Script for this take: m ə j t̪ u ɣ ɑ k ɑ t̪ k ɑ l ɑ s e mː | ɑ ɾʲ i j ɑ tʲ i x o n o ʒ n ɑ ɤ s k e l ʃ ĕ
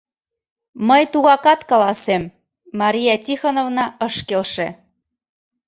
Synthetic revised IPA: m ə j t̪ u ɣ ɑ k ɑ t̪ k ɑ l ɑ s e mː | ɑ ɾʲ i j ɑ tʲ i x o n o v n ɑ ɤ ʃ k e l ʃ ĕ